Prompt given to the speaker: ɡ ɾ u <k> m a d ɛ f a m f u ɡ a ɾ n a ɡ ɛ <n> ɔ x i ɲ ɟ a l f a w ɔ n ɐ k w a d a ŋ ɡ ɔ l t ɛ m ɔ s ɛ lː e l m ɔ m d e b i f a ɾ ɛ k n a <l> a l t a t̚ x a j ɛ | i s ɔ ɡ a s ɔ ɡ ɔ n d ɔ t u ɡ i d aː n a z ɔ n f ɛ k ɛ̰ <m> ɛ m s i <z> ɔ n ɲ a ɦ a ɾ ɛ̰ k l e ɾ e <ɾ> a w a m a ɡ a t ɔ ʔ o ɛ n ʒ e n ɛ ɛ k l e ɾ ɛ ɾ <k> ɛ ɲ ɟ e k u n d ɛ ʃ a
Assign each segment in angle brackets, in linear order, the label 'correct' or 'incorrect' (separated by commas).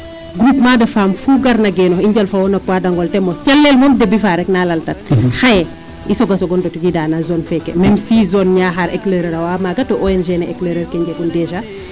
incorrect, correct, correct, correct, correct, correct, correct